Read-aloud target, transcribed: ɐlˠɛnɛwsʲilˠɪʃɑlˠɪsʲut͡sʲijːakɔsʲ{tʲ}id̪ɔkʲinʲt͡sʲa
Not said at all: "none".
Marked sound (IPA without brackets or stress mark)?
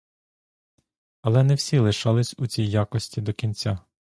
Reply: tʲ